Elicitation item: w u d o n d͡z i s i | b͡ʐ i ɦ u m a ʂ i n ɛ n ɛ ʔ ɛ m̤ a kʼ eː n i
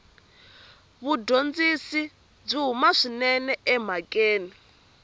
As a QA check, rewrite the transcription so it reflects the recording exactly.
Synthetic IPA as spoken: β u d o n d͡z i s i | b͡ʐ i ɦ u m a ʂ i n ɛ n ɛ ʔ ɛ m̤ a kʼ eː n i